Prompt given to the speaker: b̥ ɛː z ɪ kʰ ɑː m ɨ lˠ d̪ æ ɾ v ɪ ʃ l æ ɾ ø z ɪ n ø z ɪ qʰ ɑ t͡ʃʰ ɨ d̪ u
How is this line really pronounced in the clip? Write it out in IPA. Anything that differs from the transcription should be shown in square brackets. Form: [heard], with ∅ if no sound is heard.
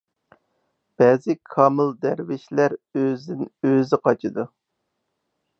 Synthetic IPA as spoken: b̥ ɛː z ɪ kʰ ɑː m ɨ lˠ d̪ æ ɾ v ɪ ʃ l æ ɾ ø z ɪ n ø z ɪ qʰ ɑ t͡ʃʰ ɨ d̪ u